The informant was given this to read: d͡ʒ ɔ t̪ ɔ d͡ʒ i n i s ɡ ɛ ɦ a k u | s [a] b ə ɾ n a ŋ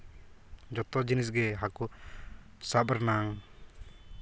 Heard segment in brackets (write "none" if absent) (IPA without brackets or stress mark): a